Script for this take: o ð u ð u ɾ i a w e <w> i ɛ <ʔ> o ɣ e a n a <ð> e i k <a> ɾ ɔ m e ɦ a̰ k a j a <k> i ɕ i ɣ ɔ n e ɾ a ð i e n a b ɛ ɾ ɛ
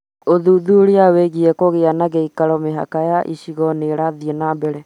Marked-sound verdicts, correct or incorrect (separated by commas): incorrect, incorrect, incorrect, correct, incorrect